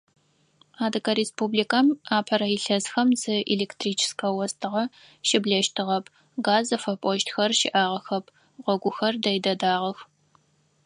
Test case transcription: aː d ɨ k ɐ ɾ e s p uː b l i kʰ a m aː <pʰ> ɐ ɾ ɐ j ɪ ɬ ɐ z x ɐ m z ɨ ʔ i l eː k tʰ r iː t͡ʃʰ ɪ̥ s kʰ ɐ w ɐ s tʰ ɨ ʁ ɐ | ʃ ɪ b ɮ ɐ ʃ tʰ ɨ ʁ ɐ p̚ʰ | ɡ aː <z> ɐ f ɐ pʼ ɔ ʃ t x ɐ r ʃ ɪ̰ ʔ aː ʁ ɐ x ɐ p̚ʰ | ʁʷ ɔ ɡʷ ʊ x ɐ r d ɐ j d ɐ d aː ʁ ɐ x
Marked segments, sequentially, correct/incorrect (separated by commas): correct, correct